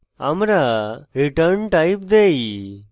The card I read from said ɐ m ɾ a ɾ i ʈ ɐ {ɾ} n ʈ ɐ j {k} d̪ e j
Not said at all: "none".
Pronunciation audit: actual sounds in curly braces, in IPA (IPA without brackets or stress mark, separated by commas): ɾ, p